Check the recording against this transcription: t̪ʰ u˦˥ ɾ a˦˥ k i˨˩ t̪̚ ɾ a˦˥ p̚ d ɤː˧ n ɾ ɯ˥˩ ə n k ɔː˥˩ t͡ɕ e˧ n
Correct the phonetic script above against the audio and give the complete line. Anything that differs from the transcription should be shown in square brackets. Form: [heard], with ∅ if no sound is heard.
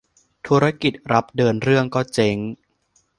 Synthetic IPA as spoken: t̪ʰ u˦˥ ɾ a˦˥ k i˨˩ t̪̚ ɾ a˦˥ p̚ d ɤː˧ n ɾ ɯ˥˩ ə [ŋ] k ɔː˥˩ t͡ɕ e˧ [ŋ]